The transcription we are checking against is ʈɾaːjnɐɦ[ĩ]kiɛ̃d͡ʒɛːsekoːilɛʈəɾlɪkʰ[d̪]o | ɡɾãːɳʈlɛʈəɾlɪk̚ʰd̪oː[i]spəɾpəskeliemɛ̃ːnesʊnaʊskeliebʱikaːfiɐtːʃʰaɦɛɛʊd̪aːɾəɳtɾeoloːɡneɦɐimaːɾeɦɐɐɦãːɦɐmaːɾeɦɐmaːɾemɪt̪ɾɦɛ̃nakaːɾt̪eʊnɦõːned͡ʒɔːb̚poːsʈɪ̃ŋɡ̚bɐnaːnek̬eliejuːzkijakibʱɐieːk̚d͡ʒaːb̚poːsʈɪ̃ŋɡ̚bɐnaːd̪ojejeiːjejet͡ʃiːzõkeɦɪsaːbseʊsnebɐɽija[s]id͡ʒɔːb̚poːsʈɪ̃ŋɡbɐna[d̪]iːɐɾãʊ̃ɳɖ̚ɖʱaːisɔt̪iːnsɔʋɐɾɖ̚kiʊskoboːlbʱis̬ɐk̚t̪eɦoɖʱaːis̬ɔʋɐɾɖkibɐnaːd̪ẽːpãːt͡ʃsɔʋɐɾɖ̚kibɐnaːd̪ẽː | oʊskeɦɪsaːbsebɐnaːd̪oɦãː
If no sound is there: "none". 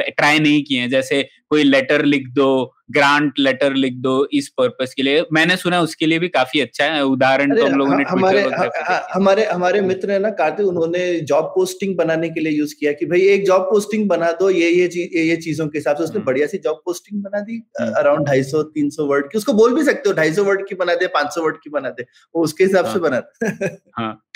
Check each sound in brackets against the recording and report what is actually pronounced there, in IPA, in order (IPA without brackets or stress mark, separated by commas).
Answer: ĩ, d̪, ɪ, s, d̪